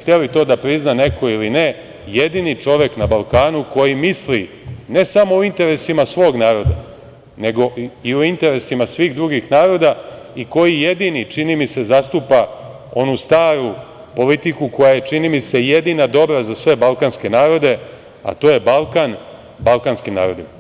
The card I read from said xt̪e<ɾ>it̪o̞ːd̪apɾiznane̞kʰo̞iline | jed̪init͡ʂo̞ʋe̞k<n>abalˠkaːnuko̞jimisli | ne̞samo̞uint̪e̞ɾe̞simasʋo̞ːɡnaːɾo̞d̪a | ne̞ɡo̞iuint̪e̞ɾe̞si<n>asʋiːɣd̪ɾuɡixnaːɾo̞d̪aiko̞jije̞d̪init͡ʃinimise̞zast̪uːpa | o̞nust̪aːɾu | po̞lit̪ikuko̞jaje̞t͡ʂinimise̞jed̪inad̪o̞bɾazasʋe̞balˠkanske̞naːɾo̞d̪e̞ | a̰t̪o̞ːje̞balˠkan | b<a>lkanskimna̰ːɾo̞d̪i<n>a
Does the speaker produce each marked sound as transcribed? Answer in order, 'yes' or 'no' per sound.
no, yes, no, yes, no

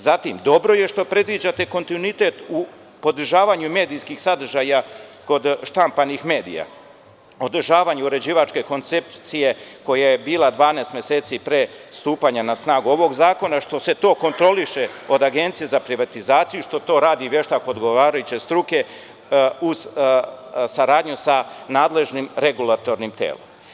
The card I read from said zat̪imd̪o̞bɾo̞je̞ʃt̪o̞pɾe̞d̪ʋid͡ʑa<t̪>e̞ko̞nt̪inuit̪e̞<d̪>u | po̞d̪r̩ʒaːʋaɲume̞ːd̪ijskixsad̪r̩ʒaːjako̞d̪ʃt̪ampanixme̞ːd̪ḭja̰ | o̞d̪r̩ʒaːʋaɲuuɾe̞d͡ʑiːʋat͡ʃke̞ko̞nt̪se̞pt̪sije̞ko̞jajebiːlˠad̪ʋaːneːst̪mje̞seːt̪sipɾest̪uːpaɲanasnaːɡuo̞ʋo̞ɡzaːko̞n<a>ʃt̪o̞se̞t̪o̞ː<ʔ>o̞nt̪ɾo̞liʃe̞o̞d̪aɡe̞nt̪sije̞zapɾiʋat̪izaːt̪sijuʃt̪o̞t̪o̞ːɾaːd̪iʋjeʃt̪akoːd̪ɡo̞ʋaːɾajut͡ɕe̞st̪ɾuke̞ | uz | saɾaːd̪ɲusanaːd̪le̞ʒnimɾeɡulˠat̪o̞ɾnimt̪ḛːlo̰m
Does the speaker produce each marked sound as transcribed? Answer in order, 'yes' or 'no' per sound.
yes, no, yes, no

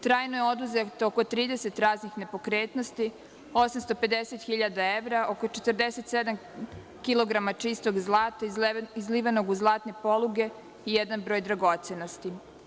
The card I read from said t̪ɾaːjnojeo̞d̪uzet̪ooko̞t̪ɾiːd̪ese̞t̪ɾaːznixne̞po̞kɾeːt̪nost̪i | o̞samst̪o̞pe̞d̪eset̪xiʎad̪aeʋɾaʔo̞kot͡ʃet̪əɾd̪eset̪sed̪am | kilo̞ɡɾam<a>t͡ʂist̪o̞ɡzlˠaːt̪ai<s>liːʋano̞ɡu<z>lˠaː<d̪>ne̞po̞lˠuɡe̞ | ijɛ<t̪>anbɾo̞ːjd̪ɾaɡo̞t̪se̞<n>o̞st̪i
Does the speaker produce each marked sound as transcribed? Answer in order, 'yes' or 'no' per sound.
yes, no, yes, no, no, yes

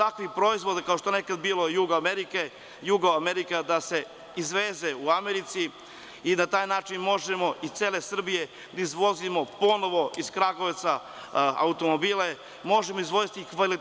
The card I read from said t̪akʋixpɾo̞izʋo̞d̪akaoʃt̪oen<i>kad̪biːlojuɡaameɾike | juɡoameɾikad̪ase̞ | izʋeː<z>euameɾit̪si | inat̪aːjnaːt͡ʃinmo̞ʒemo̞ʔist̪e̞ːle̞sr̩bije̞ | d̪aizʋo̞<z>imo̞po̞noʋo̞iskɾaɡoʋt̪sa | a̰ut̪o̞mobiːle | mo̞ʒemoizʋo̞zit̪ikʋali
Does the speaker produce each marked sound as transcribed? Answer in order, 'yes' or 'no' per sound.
no, yes, yes

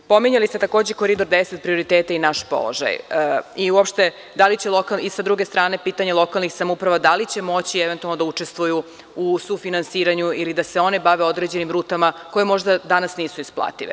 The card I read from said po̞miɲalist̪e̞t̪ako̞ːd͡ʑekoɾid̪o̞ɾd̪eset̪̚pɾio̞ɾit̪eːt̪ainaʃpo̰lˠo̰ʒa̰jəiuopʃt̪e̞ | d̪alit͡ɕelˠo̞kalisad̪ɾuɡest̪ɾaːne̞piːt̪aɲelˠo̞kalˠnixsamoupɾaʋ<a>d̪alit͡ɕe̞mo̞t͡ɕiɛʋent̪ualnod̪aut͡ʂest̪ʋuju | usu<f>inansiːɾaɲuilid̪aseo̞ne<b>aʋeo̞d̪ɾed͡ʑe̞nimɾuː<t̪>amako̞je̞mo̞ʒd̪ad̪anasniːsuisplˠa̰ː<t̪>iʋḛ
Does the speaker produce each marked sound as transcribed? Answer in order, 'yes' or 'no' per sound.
yes, yes, yes, yes, yes

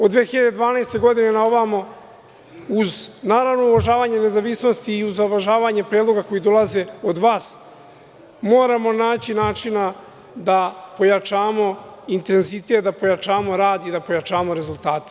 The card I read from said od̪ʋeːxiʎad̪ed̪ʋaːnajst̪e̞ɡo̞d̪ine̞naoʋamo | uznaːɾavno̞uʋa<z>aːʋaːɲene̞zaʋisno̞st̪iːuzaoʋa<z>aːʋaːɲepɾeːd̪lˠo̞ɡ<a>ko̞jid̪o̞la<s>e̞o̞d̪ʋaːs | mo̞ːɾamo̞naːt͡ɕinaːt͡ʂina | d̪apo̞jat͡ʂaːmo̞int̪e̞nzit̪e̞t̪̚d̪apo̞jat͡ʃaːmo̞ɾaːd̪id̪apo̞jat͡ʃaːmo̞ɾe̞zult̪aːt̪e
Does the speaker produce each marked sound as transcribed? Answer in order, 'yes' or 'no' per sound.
no, no, yes, no

